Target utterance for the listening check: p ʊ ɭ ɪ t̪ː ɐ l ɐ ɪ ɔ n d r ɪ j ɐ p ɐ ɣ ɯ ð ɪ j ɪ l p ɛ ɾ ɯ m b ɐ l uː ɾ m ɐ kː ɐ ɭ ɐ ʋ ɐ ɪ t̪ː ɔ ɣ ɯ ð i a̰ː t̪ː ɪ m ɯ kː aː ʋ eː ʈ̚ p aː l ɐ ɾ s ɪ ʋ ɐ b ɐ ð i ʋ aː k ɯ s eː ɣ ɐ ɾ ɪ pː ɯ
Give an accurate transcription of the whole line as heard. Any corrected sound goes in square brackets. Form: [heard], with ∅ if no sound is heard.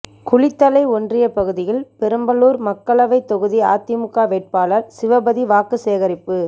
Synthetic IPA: [k] ʊ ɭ ɪ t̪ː ɐ l ɐ ɪ ɔ n d r ɪ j ɐ p ɐ ɣ ɯ ð ɪ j ɪ l p ɛ ɾ ɯ m b ɐ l uː ɾ m ɐ kː ɐ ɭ ɐ ʋ ɐ ɪ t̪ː ɔ ɣ ɯ ð i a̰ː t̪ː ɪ m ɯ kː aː ʋ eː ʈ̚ p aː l ɐ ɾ s ɪ ʋ ɐ b ɐ ð i ʋ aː k ɯ s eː ɣ ɐ ɾ ɪ pː ɯ